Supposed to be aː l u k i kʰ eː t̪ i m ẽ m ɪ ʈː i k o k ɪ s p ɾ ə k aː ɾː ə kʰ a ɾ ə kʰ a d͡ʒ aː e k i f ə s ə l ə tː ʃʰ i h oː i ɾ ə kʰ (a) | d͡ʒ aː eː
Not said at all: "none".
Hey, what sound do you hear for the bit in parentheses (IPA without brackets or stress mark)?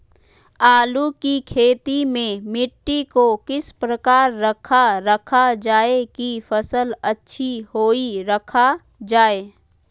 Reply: a